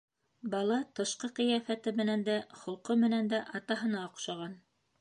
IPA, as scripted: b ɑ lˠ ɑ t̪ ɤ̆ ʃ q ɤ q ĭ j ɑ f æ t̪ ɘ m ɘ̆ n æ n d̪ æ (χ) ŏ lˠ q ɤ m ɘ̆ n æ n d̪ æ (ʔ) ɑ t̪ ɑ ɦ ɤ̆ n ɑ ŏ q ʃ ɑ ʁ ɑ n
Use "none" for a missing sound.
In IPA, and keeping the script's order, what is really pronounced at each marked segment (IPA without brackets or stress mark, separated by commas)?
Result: χ, ʔ